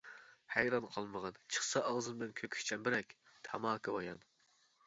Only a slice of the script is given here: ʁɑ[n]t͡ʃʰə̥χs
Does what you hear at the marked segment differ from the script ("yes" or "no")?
no